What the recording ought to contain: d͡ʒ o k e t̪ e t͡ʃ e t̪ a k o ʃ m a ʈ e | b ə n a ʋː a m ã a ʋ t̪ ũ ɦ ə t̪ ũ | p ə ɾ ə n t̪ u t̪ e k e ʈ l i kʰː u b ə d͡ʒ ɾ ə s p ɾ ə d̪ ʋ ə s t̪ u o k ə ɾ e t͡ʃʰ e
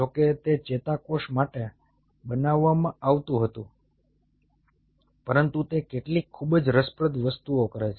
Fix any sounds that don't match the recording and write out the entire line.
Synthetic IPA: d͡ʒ o k e t̪ e t͡ʃ e t̪ a k o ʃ m a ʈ e | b ə n a ʋː a m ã a ʋ t̪ ũ ɦ ə t̪ ũ | p ə ɾ ə n t̪ u t̪ e k e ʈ l i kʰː u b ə d͡ʒ ɾ ə s p ɾ ə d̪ ʋ ə s t̪ u o k ə ɾ e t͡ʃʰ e